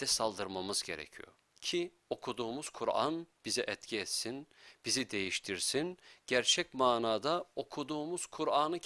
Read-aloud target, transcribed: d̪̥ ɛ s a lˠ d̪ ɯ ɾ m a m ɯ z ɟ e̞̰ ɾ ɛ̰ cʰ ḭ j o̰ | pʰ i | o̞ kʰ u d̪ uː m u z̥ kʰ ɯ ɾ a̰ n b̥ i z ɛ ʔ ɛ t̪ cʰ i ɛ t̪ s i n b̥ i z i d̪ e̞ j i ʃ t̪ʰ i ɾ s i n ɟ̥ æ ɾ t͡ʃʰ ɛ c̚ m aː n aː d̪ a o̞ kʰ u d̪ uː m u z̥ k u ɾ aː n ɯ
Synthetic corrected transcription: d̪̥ ɛ s a lˠ d̪ ɯ ɾ m a m ɯ z ɟ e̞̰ ɾ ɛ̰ cʰ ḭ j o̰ | cʰ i | o̞ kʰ u d̪ uː m u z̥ kʰ u ɾ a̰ n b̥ i z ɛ ʔ ɛ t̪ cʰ i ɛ t̪ s i n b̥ i z i d̪ e̞ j i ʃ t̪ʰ i ɾ s i n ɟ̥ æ ɾ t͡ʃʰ ɛ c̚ m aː n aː d̪ a o̞ kʰ u d̪ uː m u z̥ kʰ u ɾ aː n ɯ